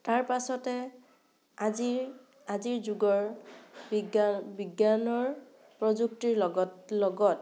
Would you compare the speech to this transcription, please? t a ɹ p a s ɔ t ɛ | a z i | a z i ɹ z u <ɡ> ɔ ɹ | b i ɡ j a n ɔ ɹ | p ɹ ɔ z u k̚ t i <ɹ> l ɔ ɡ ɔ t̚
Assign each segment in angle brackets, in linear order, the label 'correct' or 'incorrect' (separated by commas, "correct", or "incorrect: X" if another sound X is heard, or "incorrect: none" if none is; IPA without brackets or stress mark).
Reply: correct, correct